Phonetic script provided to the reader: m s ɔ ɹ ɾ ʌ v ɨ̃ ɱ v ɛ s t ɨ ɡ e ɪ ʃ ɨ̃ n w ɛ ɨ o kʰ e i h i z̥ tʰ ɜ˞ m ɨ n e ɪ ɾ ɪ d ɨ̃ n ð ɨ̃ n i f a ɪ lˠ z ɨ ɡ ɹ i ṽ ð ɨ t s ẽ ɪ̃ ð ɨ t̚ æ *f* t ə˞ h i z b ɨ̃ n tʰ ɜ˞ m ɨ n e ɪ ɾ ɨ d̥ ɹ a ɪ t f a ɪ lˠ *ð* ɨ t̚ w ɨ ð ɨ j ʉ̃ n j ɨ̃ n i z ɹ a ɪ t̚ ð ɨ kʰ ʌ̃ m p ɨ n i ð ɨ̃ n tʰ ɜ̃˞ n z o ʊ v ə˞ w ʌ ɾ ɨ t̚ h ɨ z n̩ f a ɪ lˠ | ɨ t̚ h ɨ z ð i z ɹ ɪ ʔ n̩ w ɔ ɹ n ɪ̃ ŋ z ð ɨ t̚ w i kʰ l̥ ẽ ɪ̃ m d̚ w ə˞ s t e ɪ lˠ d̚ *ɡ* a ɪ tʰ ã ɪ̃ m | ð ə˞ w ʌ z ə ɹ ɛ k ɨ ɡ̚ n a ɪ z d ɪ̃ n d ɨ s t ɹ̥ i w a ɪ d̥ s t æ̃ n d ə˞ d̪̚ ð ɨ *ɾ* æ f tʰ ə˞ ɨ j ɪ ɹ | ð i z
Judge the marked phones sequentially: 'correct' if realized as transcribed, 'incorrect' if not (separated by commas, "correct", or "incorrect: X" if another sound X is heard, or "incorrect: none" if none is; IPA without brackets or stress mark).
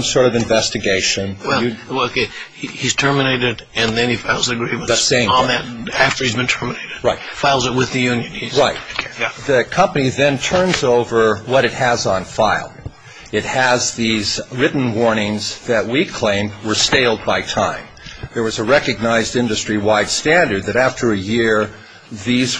correct, incorrect: z, incorrect: b, correct